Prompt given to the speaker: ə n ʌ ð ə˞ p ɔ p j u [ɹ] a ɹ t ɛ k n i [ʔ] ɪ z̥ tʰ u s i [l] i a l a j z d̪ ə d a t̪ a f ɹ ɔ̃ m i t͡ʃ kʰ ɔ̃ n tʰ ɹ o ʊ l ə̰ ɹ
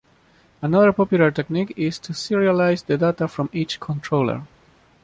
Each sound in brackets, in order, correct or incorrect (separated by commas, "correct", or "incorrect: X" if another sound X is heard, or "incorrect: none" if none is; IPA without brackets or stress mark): incorrect: l, incorrect: k, incorrect: ɹ